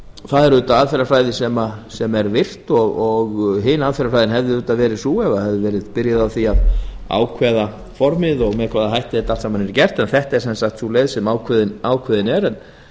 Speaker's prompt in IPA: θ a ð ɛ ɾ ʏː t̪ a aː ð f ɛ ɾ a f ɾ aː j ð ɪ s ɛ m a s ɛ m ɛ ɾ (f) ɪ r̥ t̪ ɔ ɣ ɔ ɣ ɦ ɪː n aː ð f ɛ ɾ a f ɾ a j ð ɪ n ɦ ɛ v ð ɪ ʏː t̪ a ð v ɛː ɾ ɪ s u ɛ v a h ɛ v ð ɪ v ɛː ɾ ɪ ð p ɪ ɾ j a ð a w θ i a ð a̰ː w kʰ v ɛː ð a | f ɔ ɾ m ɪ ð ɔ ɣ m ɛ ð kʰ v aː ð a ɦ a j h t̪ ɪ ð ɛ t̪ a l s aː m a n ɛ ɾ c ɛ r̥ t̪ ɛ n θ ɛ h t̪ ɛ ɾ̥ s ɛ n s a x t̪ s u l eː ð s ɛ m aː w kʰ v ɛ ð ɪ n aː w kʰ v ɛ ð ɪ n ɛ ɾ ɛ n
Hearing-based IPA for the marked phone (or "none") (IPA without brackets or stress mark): v